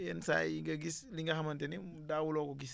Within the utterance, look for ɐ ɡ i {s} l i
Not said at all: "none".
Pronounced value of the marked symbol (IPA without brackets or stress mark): s